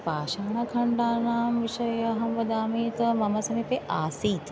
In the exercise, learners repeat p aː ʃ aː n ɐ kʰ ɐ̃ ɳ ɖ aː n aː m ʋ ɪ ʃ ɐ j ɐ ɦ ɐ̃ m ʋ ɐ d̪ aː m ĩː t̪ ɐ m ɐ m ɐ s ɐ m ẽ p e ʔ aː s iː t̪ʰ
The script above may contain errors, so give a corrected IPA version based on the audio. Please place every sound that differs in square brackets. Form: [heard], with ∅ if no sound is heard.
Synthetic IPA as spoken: p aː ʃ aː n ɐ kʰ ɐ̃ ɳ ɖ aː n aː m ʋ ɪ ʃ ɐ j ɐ ɦ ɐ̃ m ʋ ɐ d̪ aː m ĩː t̪ ɐ m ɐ m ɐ s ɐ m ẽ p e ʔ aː s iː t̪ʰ